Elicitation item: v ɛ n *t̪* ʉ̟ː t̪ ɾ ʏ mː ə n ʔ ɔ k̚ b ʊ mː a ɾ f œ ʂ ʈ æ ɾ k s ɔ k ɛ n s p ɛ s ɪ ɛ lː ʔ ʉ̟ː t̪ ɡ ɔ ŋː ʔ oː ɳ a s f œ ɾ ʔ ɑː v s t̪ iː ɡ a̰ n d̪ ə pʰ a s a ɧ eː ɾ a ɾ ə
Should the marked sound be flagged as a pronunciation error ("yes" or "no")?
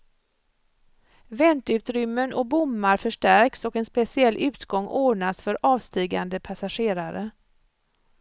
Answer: no